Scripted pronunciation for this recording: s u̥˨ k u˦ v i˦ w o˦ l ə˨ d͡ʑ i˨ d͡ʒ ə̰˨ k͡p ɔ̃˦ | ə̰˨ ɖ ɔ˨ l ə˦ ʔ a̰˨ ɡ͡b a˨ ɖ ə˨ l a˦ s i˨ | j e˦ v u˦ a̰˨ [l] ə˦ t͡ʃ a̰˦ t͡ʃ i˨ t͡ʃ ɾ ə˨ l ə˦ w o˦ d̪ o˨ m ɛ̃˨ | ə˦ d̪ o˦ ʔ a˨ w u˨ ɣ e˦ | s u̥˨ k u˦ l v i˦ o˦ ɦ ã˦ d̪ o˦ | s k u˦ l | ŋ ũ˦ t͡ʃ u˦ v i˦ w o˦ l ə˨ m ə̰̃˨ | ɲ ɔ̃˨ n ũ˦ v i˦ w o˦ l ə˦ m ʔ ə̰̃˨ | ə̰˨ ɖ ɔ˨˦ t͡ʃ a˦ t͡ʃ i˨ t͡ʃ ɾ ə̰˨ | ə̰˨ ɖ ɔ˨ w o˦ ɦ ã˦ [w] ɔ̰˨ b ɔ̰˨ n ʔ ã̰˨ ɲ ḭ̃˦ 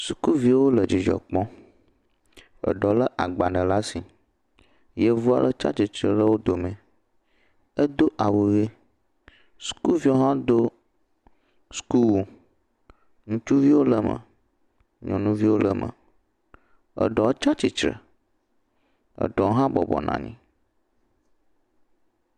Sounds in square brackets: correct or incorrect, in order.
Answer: correct, incorrect: b

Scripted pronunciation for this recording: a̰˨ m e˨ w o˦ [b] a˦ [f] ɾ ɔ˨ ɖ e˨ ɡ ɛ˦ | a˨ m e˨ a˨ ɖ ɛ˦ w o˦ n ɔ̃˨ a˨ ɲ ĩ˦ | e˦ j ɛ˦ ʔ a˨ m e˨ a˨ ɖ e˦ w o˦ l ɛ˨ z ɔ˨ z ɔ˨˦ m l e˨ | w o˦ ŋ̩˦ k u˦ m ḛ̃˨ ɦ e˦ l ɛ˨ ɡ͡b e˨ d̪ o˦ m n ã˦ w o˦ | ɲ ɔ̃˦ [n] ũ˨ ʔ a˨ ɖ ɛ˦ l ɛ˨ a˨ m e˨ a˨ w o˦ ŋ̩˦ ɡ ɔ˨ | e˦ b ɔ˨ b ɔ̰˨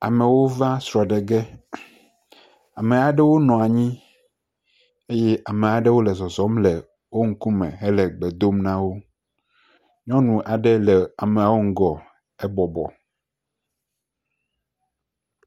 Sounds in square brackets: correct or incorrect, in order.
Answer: incorrect: v, incorrect: s, correct

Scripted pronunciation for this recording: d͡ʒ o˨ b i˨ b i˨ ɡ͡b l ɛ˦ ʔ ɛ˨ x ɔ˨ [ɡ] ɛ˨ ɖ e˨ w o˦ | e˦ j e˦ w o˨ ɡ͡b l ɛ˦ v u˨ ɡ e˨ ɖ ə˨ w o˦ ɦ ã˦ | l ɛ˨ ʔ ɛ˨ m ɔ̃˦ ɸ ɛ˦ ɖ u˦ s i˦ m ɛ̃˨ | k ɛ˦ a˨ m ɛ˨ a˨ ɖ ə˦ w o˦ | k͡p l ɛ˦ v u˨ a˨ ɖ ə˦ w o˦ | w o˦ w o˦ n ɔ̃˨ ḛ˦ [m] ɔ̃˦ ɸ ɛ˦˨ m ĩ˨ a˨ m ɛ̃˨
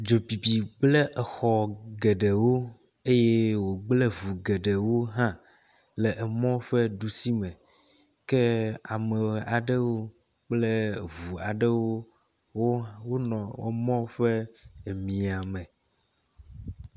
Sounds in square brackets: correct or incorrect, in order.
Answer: correct, correct

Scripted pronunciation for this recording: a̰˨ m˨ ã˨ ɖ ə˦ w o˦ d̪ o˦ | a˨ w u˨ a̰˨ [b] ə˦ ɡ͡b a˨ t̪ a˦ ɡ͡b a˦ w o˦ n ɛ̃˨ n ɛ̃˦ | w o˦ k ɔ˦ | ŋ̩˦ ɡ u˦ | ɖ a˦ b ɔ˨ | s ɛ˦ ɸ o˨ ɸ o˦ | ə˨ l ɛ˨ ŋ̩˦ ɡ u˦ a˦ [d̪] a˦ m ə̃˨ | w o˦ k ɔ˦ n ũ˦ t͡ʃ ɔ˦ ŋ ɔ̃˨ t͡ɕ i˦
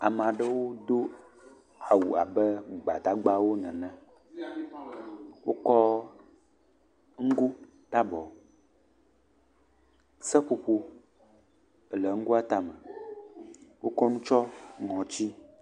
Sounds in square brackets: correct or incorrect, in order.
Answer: correct, incorrect: t̪

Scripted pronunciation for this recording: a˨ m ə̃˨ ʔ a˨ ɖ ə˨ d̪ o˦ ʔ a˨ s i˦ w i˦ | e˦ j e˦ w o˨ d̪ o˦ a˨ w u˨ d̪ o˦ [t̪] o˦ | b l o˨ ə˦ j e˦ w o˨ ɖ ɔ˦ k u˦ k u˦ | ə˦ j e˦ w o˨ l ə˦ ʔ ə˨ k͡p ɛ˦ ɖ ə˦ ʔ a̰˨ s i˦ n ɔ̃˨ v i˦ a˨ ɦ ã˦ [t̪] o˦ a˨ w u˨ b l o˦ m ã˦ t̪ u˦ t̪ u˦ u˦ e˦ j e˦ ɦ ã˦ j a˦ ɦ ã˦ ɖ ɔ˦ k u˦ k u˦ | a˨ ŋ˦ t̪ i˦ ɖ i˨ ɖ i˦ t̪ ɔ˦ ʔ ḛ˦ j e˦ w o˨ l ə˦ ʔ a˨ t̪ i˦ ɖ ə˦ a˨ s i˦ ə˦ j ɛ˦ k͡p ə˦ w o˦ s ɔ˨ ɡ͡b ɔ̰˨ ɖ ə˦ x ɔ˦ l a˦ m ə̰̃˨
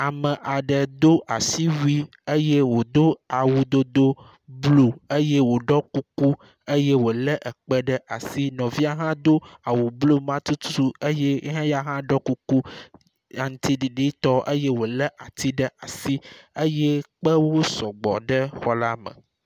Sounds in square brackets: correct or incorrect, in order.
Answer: incorrect: d̪, incorrect: d̪

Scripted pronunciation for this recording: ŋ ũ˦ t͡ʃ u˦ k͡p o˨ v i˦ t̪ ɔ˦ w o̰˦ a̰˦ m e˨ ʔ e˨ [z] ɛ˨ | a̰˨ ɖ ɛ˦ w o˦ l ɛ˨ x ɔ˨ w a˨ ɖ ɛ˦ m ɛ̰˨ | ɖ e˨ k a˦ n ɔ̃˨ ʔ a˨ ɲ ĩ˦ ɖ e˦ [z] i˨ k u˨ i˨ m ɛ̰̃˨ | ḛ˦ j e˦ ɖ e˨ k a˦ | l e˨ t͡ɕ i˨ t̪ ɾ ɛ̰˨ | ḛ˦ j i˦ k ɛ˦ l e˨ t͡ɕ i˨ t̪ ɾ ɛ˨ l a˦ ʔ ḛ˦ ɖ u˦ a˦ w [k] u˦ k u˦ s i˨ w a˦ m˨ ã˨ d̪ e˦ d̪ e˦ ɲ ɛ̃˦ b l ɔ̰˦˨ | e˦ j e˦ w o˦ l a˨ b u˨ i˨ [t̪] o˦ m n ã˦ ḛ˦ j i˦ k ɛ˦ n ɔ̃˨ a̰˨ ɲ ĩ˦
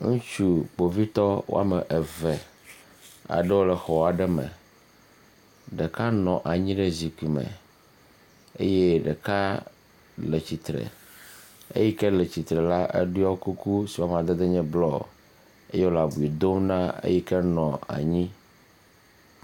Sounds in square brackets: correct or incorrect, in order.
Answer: incorrect: v, correct, correct, incorrect: d̪

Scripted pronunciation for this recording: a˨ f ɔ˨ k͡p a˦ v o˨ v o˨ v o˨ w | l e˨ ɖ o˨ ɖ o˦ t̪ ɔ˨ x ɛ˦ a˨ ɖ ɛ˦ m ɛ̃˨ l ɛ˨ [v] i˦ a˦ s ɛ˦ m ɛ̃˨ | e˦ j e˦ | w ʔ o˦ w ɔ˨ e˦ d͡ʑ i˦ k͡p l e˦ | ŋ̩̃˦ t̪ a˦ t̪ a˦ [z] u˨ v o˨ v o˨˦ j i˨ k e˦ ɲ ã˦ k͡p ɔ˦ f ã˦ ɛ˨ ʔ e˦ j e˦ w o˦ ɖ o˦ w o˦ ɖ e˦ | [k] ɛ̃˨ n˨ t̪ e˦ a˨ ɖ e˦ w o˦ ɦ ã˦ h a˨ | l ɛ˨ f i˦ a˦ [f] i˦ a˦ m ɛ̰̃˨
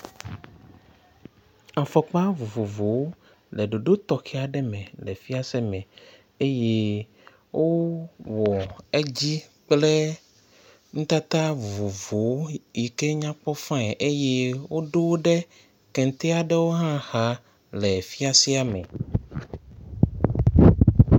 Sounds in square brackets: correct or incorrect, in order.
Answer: incorrect: f, incorrect: v, correct, incorrect: s

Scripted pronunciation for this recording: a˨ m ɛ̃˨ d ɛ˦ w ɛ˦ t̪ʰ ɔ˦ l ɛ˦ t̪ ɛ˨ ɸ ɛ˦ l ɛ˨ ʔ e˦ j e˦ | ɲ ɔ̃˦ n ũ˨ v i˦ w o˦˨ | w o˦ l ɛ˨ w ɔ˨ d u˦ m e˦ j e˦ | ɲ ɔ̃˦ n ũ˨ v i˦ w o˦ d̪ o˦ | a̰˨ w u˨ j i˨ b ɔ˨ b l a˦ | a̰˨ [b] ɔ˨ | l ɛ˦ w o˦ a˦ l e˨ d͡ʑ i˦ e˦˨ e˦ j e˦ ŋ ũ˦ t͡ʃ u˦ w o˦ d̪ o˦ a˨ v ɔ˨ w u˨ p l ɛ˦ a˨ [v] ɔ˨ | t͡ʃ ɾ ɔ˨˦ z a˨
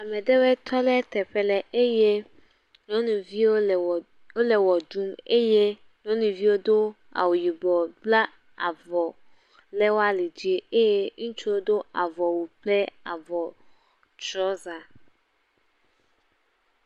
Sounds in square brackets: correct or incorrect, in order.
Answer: incorrect: v, correct

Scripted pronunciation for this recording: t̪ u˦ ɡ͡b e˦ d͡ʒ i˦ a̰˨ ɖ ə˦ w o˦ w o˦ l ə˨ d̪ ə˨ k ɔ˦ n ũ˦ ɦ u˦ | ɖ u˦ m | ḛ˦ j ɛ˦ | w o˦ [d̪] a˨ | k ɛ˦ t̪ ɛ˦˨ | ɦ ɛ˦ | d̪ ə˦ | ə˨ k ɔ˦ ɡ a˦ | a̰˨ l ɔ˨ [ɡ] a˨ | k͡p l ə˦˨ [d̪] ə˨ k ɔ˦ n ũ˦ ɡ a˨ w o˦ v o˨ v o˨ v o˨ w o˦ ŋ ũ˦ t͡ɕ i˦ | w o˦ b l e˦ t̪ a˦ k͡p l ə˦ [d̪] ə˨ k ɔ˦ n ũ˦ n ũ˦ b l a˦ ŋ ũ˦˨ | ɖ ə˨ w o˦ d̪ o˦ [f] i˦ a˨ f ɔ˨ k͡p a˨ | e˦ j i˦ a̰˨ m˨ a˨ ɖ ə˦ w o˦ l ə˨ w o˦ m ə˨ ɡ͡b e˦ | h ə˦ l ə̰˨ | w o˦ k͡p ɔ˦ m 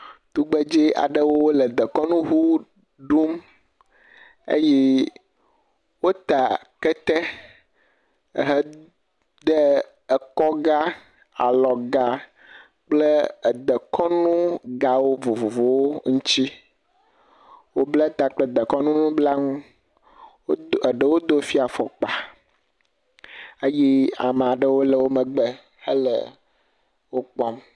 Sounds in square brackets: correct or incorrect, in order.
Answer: incorrect: t̪, correct, correct, correct, correct

